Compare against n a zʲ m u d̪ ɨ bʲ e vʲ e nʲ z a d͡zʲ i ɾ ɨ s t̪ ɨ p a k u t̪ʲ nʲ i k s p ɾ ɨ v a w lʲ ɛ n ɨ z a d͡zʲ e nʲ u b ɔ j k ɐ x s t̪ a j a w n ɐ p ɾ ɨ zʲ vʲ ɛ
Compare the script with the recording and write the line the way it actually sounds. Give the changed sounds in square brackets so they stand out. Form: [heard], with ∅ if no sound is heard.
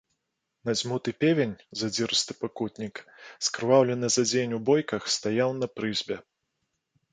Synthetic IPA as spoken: n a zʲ m u [t̪] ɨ [pʲ] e vʲ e nʲ z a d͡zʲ i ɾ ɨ s t̪ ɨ p a k u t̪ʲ nʲ i k s [k] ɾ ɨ v a w lʲ ɛ n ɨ z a d͡zʲ e nʲ u b ɔ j k ɐ x s t̪ a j a w n ɐ p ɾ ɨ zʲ [bʲ] ɛ